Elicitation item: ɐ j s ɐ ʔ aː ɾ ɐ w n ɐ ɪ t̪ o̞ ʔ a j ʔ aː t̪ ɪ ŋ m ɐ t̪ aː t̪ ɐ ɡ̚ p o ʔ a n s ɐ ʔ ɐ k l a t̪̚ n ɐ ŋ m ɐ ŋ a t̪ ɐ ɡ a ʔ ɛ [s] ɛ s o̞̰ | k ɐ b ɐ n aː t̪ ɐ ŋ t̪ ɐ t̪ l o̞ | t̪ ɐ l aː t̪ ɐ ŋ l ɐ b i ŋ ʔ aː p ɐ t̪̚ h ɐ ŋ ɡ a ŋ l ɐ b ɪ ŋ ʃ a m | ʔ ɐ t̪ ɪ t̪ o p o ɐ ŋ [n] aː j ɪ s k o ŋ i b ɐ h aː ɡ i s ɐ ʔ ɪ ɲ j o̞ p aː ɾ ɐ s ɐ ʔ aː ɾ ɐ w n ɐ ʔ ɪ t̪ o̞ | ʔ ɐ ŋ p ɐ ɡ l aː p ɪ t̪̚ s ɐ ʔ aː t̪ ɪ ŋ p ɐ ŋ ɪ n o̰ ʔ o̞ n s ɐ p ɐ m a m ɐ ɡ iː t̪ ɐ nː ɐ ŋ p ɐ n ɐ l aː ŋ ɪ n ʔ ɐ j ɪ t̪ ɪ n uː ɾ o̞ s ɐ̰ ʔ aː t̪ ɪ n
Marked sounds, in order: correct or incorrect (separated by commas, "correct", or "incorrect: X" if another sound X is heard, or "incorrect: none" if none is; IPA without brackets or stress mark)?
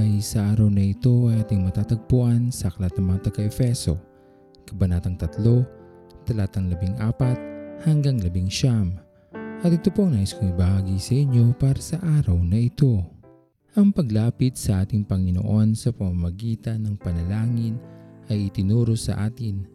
incorrect: f, correct